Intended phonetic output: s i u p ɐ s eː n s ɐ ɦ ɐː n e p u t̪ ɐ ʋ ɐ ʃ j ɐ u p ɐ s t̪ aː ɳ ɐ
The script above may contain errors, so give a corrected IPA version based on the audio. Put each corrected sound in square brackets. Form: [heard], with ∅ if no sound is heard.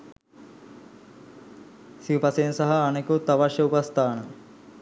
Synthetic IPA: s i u p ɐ s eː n s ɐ ɦ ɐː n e [k] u t̪ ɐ ʋ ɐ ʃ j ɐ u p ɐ s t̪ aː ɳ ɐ